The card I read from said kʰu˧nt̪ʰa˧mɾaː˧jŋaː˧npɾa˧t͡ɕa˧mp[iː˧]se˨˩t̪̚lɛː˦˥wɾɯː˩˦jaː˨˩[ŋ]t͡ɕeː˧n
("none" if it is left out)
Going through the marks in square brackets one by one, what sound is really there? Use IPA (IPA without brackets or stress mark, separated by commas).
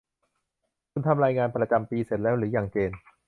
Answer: iː˧, ŋ